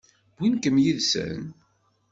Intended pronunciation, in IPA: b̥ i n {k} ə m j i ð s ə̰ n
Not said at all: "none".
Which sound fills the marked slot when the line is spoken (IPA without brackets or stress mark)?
k